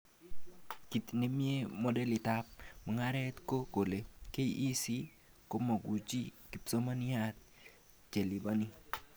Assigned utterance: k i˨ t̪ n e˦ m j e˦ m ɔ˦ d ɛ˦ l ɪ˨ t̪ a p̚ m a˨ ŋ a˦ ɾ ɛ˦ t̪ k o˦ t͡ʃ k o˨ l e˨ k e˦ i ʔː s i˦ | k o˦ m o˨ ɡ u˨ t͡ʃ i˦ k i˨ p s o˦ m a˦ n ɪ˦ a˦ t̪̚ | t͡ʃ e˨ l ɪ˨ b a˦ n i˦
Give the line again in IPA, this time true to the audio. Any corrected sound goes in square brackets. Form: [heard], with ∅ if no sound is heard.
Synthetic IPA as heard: k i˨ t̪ n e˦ m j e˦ m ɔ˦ d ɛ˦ l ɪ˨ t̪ a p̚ m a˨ ŋ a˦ ɾ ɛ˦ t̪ k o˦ [∅] k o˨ l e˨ k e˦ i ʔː s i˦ | k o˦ m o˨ ɡ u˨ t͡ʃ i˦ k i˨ p s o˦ m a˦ n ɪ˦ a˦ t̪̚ | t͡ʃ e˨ l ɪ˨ b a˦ n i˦